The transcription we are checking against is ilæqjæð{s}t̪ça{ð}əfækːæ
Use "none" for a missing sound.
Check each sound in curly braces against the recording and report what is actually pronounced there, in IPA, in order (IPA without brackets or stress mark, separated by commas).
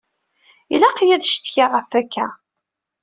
ʃ, ʁ